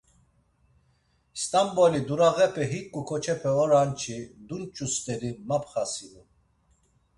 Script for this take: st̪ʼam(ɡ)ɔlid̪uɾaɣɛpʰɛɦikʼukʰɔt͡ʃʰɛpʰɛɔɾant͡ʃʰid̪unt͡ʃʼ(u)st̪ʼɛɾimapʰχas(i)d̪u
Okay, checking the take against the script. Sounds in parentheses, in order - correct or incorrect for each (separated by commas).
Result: incorrect, correct, correct